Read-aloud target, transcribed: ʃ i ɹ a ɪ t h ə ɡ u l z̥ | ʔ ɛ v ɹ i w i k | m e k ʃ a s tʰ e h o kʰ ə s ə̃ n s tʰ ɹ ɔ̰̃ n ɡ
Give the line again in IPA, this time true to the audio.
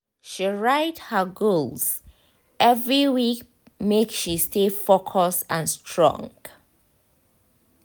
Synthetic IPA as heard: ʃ i ɹ a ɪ t h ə ɡ o l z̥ | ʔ ɛ v ɹ i w i k | m e k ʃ i s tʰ e f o kʰ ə s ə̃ n s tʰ ɹ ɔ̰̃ ŋ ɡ

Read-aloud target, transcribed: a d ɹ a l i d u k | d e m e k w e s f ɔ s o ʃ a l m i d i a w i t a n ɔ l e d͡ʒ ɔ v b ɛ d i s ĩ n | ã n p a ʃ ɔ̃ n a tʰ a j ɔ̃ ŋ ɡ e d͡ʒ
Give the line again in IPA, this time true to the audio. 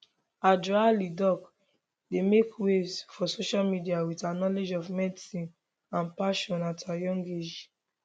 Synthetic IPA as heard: a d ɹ a l i d ɔ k | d e m e k w e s f ɔ s o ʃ a l m i d i a w i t a n ɔ l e d͡ʒ ɔ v m ɛ d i s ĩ n | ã n p a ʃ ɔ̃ n a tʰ a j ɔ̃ ŋ ɡ e d͡ʒ

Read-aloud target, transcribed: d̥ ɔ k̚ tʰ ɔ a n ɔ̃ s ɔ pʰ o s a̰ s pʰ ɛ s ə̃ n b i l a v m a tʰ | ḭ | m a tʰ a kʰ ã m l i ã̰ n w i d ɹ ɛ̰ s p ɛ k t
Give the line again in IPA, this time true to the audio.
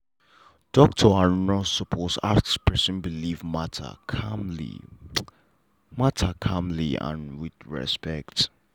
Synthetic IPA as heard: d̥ ɔ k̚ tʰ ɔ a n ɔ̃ s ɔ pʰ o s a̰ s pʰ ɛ s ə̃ n b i l i v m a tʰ | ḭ | m a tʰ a kʰ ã m l i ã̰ n w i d ɹ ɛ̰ s p ɛ k t

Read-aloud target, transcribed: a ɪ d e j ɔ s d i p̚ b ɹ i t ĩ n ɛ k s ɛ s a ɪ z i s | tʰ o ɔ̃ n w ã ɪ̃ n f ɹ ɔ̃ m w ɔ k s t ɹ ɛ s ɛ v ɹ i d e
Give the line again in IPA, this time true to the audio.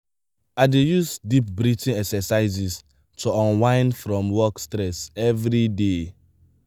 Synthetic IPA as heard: a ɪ d e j u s d i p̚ b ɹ i t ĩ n ɛ k s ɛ s a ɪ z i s | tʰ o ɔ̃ n w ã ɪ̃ n f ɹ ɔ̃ m w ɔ k s t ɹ ɛ s ɛ v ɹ i d e

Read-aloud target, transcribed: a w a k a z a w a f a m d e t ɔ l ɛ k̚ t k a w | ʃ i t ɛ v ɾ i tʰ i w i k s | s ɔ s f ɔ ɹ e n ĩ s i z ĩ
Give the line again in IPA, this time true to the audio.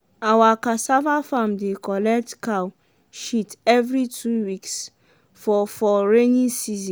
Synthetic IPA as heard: a w a k a s a v a f a m d e k ɔ l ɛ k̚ t k a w | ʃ i t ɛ v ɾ i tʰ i w i k s | f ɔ f ɔ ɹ e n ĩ s i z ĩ

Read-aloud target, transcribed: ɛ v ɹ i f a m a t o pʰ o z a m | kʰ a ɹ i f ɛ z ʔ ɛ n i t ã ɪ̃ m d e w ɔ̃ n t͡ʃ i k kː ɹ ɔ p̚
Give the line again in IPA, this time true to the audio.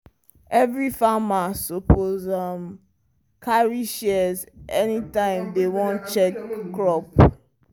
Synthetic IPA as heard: ɛ v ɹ i f a m a s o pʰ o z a m | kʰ a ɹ i ʃ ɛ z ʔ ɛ n i t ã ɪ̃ m d e w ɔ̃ n t͡ʃ ɛ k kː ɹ ɔ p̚

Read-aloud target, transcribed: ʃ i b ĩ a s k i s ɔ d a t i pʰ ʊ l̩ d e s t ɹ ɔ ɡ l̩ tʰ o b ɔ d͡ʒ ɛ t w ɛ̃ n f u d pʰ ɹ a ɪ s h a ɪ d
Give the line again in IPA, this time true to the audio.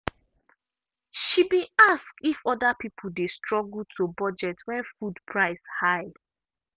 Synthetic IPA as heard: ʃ i b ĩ a s k i f ɔ d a p i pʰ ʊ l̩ d e s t ɹ ɔ ɡ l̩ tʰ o b ɔ d͡ʒ ɛ t w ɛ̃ n f u d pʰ ɹ a ɪ s h a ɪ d

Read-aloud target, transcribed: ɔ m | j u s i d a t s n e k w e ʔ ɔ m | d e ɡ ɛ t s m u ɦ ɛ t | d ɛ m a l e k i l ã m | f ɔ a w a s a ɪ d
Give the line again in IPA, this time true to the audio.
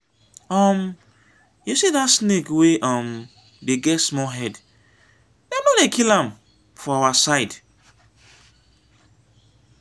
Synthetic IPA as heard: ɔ m | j u s i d a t s n e k w e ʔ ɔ m | d e ɡ ɛ t s m ɔ ɦ ɛ d | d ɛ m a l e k i l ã m | f ɔ a w a s a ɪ d

